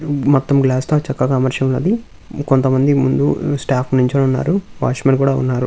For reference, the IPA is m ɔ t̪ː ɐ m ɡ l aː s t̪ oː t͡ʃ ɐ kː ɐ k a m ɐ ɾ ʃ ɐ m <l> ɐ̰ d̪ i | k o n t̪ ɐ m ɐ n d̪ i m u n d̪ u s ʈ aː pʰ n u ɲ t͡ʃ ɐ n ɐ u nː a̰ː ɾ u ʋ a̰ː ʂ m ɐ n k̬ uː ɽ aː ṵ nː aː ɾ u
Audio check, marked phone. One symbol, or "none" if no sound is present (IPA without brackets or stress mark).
l